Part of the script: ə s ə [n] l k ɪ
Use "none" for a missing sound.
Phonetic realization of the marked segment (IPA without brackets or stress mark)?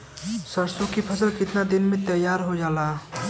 none